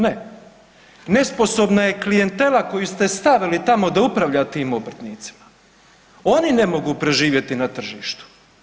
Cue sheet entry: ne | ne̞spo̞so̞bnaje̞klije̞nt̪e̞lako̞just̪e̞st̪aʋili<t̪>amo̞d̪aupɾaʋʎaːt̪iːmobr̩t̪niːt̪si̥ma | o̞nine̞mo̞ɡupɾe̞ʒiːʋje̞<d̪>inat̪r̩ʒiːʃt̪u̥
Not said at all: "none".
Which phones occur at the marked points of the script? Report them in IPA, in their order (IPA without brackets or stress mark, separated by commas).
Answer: t̪, t̪